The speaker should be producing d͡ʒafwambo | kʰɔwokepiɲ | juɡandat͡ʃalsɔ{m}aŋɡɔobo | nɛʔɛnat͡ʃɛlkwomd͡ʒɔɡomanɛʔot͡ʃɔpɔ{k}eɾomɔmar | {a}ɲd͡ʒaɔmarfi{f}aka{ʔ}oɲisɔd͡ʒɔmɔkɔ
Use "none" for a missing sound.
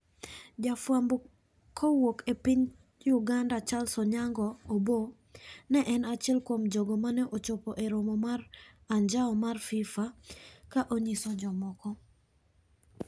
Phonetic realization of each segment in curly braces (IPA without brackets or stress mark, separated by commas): ɲ, ʔ, a, f, ʔ